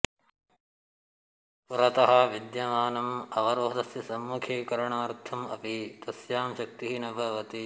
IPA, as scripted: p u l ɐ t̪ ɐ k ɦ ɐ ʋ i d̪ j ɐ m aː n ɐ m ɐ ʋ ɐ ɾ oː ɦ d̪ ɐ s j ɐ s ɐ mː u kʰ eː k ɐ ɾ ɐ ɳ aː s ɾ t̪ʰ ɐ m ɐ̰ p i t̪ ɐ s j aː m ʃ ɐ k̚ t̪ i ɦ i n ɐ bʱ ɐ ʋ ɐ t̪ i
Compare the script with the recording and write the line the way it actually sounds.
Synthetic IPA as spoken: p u ɾ ɐ t̪ ɐ ɦ ɐ ʋ i d̪ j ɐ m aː n ɐ m ɐ ʋ ɐ ɾ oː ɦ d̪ ɐ s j ɐ s ɐ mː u kʰ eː k ɐ ɾ ɐ ɳ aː ɾ t̪ʰ ɐ m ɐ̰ p i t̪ ɐ s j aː m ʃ ɐ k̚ t̪ i ɦ i n ɐ bʱ ɐ ʋ ɐ t̪ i

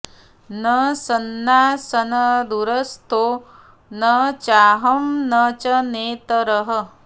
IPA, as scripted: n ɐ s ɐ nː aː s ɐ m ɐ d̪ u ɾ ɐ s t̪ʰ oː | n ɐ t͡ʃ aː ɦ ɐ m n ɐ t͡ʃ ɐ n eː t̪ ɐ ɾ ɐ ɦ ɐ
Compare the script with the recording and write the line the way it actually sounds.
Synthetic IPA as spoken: n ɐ s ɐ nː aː s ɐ n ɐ d̪ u ɾ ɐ s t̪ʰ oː | n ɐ t͡ʃ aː ɦ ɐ m n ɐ t͡ʃ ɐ n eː t̪ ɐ ɾ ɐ ɦ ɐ

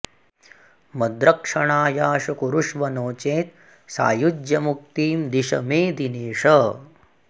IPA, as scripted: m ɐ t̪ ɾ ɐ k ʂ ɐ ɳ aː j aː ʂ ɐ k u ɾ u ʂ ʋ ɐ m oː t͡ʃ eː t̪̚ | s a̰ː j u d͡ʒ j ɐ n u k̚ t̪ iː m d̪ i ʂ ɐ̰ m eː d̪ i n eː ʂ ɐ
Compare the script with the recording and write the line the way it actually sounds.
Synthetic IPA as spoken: m ɐ d̪ ɾ ɐ k ʂ ɐ ɳ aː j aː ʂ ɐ k u ɾ u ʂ ʋ ɐ n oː t͡ʃ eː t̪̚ | s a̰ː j u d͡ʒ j ɐ m u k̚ t̪ iː m d̪ i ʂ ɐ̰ m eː d̪ i n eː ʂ ɐ

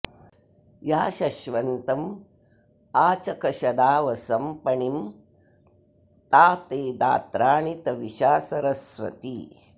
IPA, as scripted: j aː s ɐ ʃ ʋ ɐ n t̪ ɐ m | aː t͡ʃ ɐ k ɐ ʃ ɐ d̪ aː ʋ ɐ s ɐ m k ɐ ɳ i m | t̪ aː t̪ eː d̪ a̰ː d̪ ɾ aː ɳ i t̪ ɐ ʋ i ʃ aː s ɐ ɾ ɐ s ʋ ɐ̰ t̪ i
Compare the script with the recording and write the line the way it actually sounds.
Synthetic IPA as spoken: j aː ʃ ɐ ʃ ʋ ɐ n t̪ ɐ m | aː t͡ʃ ɐ k ɐ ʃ ɐ d̪ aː ʋ ɐ s ɐ m p ɐ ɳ i m | t̪ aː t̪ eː d̪ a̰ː t̪ ɾ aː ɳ i t̪ ɐ ʋ i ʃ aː s ɐ ɾ ɐ s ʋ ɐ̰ t̪ i

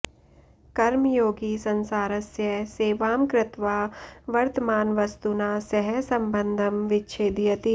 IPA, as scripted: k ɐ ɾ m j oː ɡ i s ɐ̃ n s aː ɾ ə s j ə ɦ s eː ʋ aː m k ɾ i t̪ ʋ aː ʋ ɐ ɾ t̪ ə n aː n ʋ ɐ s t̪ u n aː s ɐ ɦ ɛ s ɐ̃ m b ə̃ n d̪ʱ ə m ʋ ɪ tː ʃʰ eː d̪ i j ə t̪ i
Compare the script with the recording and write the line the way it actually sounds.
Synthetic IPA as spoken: k ɐ ɾ m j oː ɡ i s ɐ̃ n s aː ɾ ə s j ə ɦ s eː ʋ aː m k ɾ ɪ t̪ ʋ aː ʋ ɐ ɾ t̪ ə m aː n ʋ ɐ s t̪ u n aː s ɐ ɦ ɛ s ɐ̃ m b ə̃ n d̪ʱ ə m ʋ ɪ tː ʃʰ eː d̪ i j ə t̪ i

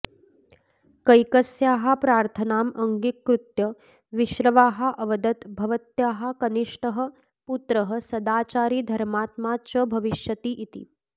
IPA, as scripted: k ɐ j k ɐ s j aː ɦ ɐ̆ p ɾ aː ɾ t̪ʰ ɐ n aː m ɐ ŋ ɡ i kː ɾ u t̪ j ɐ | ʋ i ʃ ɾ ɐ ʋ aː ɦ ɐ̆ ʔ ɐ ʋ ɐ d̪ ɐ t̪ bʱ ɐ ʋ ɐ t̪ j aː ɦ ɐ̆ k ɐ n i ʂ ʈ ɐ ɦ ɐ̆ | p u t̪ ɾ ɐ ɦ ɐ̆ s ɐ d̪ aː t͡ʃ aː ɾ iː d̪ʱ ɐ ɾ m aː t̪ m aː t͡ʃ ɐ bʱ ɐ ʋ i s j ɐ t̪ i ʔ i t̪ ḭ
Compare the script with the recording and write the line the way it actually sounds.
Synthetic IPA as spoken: k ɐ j k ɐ s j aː ɦ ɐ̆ p ɾ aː ɾ t̪ʰ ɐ n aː m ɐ ŋ ɡ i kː ɾ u t̪ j ɐ | ʋ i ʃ ɾ ɐ ʋ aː ɦ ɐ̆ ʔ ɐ ʋ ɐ d̪ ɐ t̪ bʱ ɐ ʋ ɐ t̪ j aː ɦ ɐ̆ k ɐ n i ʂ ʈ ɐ ɦ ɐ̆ | p u t̪ ɾ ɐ ɦ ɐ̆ s ɐ d̪ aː t͡ʃ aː ɾ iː d̪ʱ ɐ ɾ m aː t̪ m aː t͡ʃ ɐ bʱ ɐ ʋ i ʃ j ɐ t̪ i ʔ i t̪ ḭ

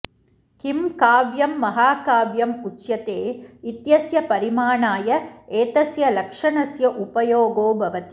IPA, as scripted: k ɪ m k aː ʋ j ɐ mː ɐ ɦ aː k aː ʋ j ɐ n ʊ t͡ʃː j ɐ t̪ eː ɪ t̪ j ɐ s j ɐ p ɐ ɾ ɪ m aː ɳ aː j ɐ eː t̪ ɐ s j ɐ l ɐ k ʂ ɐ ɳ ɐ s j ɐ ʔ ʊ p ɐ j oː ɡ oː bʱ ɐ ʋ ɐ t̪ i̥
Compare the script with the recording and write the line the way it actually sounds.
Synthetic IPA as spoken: k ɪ m k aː ʋ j ɐ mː ɐ ɦ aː k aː ʋ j ɐ m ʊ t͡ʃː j ɐ t̪ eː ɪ t̪ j ɐ s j ɐ p ɐ ɾ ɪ m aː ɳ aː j ɐ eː t̪ ɐ s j ɐ l ɐ k ʂ ɐ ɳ ɐ s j ɐ ʔ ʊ p ɐ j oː ɡ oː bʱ ɐ ʋ ɐ t̪ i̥

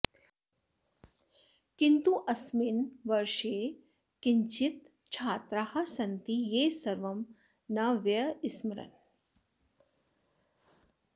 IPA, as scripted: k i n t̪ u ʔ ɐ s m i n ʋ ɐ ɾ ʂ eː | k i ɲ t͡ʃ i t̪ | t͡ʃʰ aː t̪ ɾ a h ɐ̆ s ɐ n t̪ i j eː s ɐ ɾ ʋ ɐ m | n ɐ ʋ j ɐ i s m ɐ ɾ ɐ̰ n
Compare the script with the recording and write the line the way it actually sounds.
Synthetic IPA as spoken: k i n t̪ u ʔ ɐ s m i n ʋ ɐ ɾ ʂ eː | k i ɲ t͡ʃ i t̪ | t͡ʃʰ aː t̪ ɾ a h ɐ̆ s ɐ n t̪ i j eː s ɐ ɾ ʋ ɐ m | n ɐ ʋ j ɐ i s m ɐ ɾ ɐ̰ n

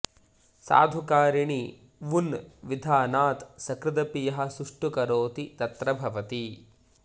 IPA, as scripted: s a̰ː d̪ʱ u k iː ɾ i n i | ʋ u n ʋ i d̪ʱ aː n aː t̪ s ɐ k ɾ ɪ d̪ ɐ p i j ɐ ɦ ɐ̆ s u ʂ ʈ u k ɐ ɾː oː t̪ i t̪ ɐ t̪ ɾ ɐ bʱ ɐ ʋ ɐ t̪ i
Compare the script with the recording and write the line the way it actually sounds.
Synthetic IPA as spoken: s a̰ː d̪ʱ u k aː ɾ i ɳ i | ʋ u n ʋ i d̪ʱ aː n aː t̪ s ɐ k ɾ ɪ d̪ ɐ p i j ɐ ɦ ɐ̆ s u ʂ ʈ u k ɐ ɾ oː t̪ i t̪ ɐ t̪ ɾ ɐ bʱ ɐ ʋ ɐ t̪ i

